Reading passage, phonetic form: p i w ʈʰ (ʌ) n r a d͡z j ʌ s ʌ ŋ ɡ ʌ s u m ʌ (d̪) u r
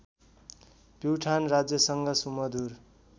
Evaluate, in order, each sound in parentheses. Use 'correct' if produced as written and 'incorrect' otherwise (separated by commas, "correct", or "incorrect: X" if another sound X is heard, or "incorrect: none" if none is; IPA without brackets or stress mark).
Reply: incorrect: a, correct